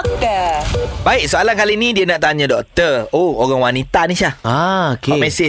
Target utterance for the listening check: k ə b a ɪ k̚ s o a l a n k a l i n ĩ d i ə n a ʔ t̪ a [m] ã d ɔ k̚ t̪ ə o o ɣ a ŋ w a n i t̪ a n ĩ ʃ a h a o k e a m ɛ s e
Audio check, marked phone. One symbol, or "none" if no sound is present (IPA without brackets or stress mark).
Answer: ɲ